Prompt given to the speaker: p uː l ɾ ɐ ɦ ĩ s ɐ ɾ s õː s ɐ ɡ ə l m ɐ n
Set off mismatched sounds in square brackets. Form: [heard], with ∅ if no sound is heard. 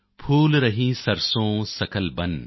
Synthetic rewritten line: [pʰ] uː l ɾ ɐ ɦ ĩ s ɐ ɾ s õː s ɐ [k] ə l [b] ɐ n